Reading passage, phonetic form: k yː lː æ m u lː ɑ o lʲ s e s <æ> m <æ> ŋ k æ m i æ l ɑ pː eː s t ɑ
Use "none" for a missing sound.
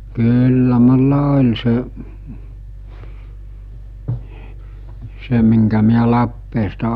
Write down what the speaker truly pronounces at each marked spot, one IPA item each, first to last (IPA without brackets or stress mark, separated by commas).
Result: e, i